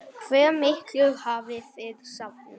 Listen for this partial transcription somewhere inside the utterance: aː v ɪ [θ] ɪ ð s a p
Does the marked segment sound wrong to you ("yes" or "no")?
no